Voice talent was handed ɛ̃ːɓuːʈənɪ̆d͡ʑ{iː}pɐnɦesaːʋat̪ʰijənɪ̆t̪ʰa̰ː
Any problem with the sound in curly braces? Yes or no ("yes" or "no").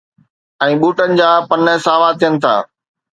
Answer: yes